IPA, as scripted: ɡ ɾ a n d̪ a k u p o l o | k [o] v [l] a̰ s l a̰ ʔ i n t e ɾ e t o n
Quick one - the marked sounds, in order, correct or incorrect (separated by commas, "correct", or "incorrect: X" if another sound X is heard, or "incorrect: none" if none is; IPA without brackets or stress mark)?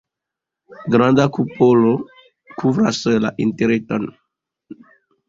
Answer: incorrect: u, incorrect: ɾ